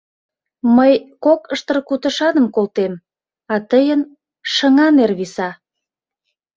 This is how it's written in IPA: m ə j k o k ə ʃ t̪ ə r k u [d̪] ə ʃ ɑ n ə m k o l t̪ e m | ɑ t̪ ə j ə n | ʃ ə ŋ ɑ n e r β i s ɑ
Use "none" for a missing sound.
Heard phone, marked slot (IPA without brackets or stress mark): t̪